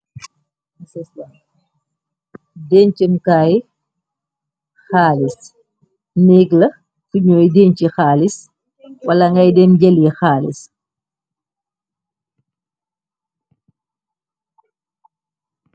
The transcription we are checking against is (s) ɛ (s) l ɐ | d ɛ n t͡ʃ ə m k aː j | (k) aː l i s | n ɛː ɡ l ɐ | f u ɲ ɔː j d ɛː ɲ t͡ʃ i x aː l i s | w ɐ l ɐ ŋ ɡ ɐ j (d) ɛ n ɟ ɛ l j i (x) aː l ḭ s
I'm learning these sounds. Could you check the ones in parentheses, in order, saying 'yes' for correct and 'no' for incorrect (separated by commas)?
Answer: yes, yes, no, yes, yes